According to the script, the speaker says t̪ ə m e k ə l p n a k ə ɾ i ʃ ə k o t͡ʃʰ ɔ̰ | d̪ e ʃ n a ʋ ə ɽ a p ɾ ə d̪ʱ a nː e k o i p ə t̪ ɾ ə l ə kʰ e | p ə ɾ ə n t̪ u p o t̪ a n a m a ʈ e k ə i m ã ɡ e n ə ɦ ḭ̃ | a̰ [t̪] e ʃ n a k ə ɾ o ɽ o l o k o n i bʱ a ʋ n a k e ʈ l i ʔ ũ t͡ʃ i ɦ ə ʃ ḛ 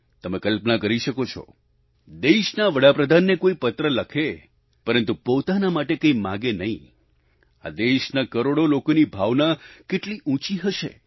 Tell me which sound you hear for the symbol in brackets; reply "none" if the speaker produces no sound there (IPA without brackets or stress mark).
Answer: d̪